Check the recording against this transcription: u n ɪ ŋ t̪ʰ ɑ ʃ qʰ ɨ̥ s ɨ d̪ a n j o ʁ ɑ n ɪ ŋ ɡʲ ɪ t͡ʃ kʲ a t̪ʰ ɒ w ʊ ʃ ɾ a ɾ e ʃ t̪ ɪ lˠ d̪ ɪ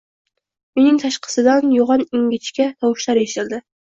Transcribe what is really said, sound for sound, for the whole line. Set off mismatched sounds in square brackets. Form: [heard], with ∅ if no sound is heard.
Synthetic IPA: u n ɪ ŋ t̪ʰ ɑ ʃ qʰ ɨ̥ s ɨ d̪ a n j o ʁ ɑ n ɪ ŋ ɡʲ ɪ t͡ʃ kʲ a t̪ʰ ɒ w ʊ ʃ [l] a ɾ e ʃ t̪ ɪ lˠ d̪ ɪ